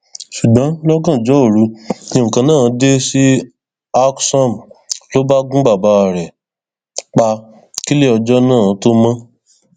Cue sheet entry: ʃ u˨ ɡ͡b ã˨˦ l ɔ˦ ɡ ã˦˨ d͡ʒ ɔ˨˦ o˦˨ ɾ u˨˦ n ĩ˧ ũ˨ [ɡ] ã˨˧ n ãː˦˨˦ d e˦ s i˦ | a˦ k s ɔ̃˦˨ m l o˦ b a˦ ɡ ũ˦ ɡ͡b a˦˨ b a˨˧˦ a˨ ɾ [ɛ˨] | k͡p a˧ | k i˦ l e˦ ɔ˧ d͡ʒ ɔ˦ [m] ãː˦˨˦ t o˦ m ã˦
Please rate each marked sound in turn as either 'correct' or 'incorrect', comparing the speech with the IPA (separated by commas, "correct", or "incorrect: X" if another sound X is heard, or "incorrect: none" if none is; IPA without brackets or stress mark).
incorrect: k, correct, incorrect: n